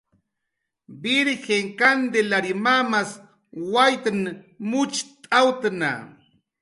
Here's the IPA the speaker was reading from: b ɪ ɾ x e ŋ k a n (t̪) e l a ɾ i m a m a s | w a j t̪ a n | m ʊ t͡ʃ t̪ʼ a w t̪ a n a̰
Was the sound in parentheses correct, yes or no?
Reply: no